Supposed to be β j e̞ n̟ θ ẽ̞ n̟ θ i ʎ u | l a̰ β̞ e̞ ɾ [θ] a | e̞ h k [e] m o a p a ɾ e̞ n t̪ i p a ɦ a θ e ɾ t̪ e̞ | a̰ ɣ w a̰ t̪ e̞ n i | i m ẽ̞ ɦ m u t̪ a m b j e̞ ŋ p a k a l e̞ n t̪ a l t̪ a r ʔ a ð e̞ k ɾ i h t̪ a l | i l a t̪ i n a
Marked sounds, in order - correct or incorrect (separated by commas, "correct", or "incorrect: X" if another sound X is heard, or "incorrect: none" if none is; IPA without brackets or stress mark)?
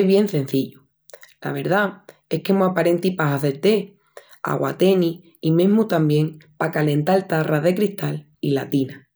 incorrect: ð, correct